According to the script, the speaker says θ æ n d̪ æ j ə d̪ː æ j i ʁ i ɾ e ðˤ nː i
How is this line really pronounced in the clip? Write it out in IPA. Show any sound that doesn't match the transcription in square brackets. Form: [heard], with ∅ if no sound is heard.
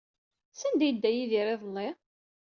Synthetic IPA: [s] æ n d̪ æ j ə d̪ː æ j i [ð] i ɾ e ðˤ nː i